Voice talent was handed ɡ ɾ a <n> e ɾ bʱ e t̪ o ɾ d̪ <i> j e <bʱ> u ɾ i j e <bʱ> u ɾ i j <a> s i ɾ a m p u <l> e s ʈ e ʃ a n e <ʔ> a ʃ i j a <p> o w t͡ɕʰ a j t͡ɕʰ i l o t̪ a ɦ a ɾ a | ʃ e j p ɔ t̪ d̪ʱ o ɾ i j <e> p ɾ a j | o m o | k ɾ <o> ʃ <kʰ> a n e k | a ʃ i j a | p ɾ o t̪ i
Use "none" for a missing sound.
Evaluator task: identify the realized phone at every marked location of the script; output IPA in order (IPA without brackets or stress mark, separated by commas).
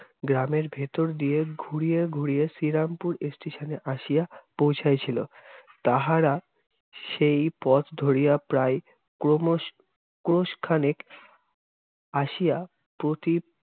m, i, ɡʱ, ɡʱ, e, ɾ, ʔ, p, a, o, kʰ